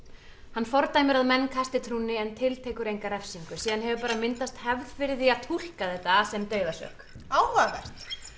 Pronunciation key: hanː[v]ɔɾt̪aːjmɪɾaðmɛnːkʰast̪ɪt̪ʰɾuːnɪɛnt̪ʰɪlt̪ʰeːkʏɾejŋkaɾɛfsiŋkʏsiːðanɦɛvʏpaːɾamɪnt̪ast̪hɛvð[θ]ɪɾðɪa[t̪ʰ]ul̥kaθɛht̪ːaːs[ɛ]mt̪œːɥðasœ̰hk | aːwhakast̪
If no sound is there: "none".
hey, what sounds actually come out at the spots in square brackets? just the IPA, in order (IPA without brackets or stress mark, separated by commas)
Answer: f, f, t̪ʰ, ɛ